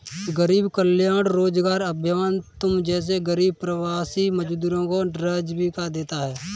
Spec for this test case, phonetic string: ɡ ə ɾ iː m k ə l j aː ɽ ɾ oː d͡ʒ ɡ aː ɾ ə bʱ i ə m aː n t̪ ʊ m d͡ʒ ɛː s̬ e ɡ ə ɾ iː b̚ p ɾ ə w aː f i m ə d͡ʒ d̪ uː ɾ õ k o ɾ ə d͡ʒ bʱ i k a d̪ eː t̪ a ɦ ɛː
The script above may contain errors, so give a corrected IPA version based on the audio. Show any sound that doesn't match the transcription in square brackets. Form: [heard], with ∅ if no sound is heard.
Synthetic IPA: ɡ ə ɾ iː [b] k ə l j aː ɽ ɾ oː d͡ʒ ɡ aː ɾ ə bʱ [j] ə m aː n t̪ ʊ m d͡ʒ ɛː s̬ e ɡ ə ɾ iː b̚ p ɾ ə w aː [s] i m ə d͡ʒ d̪ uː ɾ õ k o ɾ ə d͡ʒ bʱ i k a d̪ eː t̪ a ɦ ɛː